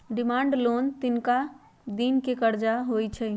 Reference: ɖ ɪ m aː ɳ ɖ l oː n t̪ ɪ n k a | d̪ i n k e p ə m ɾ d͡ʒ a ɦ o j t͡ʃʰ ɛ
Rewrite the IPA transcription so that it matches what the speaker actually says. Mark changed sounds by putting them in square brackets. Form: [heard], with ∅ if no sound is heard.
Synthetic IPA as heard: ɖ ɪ m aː ɳ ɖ l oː n t̪ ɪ n k a | d̪ i n k e [k] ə [∅] ɾ d͡ʒ a ɦ o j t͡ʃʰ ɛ

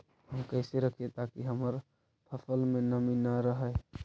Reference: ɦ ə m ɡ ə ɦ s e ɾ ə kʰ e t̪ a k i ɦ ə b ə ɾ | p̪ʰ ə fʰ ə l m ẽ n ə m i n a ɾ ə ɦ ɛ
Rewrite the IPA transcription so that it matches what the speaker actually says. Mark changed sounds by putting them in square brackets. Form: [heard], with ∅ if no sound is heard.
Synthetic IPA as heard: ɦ ə m [k] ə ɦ s e ɾ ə kʰ e t̪ a k i ɦ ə [m] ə ɾ | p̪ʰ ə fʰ ə l m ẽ n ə m i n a ɾ ə ɦ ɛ

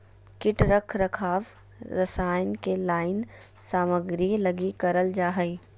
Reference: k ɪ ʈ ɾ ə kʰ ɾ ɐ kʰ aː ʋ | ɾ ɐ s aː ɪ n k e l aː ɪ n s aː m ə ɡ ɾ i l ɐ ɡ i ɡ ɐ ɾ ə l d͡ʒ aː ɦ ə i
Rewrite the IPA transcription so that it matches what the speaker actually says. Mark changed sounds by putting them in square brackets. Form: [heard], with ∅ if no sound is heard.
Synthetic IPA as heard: k ɪ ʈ ɾ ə kʰ ɾ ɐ kʰ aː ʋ | ɾ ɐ s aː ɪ n k e l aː ɪ n s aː m ə ɡ ɾ i l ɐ ɡ i [k] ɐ ɾ ə l d͡ʒ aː ɦ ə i

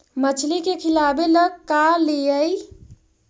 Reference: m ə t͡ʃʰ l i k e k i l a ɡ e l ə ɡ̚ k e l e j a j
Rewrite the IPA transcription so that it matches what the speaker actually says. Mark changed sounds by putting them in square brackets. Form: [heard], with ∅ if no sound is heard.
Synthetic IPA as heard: m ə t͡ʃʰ l i k e [kʰ] i l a [b] e l ə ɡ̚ k [a] l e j [ə] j

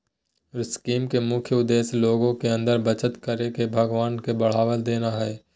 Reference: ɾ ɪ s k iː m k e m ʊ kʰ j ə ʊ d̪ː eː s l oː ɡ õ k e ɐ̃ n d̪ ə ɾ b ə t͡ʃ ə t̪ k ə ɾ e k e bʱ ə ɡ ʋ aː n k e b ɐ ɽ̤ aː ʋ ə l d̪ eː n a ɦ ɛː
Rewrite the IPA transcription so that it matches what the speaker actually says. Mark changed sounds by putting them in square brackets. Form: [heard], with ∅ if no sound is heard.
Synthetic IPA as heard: ɾ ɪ s k iː m k e m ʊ kʰ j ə ʊ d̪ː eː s l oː ɡ õ k e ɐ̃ n d̪ ə ɾ b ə t͡ʃ ə t̪ k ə ɾ e k e bʱ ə ɡ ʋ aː n k e b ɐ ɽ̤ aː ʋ ə l d̪ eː n a ɦ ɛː

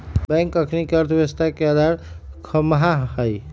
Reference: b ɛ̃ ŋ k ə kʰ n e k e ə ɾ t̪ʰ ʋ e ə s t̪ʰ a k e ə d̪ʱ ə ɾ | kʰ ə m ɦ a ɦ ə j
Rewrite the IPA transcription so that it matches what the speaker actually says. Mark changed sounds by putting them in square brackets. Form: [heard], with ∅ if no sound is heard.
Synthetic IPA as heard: b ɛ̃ ŋ k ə kʰ n [i] k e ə ɾ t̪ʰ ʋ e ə s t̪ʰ a k e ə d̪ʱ [a] ɾ | kʰ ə m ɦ a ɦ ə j

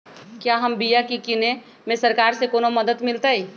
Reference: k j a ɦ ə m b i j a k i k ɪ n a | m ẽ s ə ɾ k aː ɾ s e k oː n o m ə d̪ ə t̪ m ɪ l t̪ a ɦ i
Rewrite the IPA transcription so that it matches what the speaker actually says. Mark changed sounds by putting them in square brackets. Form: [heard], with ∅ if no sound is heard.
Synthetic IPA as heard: k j a ɦ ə m b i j a k i k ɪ n [e] | m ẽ s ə ɾ k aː ɾ s e k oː n o m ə d̪ ə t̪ m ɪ l t̪ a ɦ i

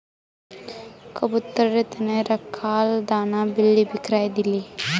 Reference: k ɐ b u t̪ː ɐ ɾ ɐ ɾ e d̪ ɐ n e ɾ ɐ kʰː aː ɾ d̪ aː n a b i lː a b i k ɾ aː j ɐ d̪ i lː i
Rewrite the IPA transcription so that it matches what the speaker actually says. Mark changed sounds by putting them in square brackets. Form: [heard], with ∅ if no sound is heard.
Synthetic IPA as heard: k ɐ b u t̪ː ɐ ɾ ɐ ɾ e [t̪] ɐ n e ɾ ɐ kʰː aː [l] d̪ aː n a b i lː [i] b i k ɾ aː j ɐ d̪ i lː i

